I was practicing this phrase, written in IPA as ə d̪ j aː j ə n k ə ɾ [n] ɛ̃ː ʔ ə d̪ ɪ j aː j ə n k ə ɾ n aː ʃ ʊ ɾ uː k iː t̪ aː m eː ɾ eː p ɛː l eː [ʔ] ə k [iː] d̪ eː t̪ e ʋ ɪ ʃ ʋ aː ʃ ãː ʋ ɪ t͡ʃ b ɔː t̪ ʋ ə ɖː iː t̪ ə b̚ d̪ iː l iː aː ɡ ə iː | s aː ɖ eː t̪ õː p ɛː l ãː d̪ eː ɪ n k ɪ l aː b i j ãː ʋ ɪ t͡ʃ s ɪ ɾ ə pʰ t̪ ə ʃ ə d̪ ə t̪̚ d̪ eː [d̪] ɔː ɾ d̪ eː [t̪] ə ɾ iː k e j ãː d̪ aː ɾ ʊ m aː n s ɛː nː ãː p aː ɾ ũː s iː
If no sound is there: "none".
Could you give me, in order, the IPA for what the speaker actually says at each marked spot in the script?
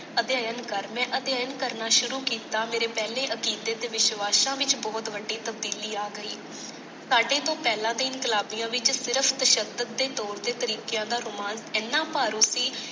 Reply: m, ʔ, iː, t̪, t̪

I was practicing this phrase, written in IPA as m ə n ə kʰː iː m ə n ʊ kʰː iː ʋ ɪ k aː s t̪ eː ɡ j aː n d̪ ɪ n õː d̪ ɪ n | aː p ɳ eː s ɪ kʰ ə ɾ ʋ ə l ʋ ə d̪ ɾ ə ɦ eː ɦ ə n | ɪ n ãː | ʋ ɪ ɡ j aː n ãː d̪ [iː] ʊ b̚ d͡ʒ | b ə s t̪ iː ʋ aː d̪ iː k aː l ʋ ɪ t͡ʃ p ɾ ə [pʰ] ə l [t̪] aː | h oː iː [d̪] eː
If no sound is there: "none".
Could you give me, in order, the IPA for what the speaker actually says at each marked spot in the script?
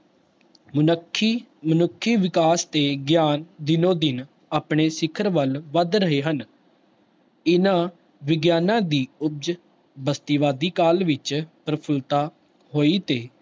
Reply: iː, pʰ, t̪, t̪

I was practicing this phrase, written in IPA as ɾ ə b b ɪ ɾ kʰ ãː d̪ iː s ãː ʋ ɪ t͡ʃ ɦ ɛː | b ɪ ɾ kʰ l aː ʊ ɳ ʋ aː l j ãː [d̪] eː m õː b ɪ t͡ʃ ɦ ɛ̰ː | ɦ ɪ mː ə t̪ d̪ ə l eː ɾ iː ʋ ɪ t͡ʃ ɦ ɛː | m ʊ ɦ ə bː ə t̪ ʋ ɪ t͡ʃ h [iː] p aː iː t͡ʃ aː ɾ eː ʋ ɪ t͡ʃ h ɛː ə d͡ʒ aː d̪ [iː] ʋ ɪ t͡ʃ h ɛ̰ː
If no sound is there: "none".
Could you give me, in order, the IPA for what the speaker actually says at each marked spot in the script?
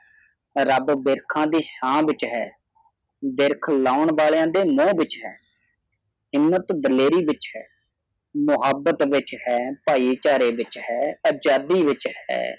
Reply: d̪, ɛː, iː

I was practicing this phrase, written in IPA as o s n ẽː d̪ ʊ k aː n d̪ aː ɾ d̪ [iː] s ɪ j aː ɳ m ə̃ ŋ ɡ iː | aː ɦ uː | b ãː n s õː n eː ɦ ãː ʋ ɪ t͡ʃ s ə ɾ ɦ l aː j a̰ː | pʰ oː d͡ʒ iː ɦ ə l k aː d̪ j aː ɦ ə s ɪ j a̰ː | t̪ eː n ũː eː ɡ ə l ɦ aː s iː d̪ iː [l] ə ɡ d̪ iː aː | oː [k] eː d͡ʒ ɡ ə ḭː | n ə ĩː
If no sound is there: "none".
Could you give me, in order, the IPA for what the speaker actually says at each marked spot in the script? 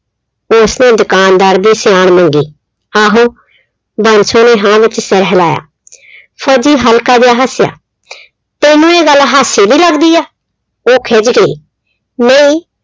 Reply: iː, l, kʰ

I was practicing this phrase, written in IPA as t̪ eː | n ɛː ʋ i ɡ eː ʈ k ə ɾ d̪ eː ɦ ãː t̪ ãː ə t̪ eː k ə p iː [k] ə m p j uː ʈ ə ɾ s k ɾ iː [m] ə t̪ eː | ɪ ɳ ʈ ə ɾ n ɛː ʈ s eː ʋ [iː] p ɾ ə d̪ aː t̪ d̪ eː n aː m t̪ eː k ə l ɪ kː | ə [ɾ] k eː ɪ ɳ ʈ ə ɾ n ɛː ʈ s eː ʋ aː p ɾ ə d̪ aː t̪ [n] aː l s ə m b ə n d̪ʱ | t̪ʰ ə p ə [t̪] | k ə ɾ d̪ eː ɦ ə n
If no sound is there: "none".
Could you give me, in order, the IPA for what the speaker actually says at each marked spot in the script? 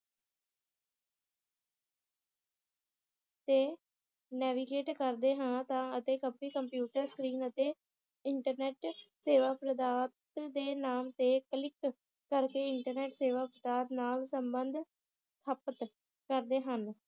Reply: k, n, aː, ɾ, n, t̪

